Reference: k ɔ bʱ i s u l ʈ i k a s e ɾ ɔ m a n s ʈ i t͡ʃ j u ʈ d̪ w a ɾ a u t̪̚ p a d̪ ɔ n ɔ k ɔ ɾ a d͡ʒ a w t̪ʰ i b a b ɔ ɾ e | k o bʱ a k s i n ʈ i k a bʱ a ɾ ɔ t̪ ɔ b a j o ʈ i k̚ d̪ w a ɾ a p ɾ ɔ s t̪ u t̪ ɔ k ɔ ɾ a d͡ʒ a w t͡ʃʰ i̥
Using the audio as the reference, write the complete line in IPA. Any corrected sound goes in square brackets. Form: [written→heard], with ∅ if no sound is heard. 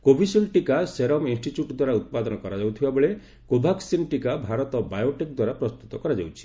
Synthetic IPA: k [ɔ→o] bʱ i s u l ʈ i k a s e ɾ ɔ m [a→i] n s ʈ i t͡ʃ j u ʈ d̪ w a ɾ a u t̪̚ p a d̪ ɔ n ɔ k ɔ ɾ a d͡ʒ a w t̪ʰ i b a b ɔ [ɾ→ɭ] e | k o bʱ a k s i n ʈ i k a bʱ a ɾ ɔ t̪ ɔ b a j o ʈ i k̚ d̪ w a ɾ a p ɾ ɔ s t̪ u t̪ ɔ k ɔ ɾ a d͡ʒ a w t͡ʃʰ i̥